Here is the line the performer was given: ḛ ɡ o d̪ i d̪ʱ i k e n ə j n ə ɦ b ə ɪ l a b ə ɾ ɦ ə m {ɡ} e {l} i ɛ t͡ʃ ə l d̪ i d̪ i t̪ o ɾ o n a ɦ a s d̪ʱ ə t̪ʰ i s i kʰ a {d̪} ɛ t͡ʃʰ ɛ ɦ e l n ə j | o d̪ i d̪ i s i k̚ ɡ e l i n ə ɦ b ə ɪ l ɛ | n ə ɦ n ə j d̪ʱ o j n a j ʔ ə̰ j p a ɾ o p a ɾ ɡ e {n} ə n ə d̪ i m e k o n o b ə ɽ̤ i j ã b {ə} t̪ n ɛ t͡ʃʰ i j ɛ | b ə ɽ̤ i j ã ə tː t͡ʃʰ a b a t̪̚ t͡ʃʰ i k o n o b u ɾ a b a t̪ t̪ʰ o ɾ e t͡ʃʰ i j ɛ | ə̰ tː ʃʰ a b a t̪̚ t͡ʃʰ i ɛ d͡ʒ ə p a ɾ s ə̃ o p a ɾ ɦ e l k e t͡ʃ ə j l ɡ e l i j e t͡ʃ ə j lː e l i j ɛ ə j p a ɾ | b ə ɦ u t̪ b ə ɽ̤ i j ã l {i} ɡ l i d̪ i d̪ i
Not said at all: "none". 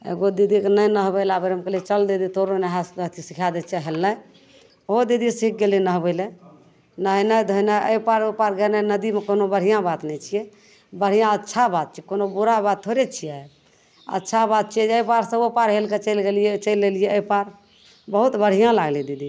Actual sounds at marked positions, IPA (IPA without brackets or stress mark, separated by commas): k, l, d̪, n, a, a